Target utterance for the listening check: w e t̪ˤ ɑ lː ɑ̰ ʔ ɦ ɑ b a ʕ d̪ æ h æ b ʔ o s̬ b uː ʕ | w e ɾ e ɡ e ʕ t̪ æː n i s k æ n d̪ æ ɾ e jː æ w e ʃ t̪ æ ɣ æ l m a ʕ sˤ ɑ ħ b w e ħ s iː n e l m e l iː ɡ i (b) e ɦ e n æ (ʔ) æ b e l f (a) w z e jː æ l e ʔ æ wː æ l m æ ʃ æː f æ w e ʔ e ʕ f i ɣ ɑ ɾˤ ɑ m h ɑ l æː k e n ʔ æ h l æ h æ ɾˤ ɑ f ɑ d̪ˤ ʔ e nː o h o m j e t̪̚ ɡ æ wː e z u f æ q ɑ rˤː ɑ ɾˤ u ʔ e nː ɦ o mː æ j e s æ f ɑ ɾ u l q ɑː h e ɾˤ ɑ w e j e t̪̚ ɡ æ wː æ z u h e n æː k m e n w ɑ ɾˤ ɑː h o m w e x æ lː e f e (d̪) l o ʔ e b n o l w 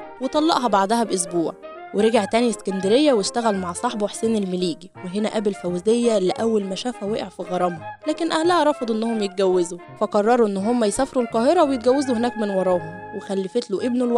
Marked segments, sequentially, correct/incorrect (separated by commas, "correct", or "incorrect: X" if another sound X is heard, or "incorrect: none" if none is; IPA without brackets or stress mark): incorrect: w, correct, incorrect: æ, incorrect: t̪